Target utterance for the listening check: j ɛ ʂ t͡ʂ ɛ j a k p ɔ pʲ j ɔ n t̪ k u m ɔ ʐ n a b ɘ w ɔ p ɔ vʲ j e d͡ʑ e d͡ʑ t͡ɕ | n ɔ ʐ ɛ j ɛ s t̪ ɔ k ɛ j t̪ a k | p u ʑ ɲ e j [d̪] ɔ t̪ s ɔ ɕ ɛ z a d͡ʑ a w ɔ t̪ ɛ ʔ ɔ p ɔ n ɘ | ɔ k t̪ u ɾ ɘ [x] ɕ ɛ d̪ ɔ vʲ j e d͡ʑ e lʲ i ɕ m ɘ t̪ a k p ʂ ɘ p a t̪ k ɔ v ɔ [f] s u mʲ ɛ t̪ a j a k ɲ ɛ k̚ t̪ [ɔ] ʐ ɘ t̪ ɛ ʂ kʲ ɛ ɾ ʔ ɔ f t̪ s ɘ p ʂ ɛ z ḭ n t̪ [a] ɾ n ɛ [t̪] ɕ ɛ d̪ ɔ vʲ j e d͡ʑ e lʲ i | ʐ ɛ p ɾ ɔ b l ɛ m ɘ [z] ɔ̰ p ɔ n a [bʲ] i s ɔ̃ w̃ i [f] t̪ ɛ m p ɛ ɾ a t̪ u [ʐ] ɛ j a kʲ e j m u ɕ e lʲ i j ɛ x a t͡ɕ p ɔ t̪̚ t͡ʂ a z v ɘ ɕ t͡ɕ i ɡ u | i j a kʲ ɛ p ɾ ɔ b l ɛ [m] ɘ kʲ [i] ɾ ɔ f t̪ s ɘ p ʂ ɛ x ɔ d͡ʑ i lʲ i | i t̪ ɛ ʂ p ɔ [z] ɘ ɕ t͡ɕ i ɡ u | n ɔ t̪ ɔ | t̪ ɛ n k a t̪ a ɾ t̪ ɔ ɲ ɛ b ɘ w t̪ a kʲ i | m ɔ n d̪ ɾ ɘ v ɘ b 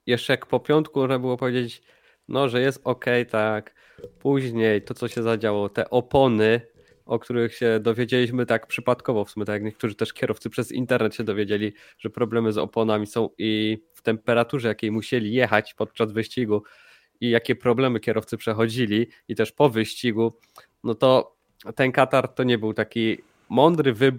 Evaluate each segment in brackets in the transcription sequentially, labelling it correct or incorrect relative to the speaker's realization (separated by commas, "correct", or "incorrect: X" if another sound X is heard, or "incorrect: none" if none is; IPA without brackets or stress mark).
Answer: incorrect: t̪, correct, correct, incorrect: u, incorrect: ɛ, correct, correct, incorrect: mʲ, correct, correct, correct, incorrect: ɛ, incorrect: v